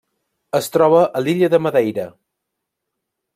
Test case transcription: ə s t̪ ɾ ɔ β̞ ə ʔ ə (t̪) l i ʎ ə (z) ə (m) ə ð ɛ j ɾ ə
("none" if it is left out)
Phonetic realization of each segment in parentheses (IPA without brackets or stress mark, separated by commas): none, ð, m